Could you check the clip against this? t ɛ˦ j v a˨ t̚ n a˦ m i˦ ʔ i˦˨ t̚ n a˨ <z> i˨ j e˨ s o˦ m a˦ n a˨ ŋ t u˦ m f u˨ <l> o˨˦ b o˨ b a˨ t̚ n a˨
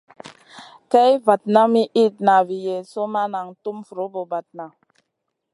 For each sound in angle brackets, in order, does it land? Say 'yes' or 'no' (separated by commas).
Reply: no, no